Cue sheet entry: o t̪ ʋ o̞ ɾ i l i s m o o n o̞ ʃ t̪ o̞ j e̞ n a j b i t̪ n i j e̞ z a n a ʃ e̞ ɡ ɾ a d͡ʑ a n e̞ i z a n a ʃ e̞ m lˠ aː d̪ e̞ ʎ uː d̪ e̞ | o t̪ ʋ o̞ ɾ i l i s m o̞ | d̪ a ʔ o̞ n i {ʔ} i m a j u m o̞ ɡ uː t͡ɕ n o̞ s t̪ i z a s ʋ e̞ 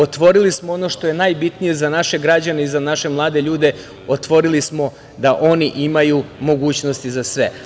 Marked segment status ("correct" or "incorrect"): correct